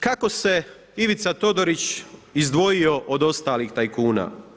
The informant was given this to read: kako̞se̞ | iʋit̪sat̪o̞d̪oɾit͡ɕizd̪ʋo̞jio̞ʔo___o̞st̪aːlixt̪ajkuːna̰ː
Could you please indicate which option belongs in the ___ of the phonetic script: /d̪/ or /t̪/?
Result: d̪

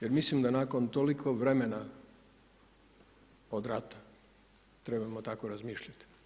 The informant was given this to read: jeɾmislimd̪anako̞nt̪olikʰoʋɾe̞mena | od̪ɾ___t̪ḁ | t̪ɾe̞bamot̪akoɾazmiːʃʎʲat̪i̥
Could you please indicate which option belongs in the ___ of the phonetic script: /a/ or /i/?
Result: a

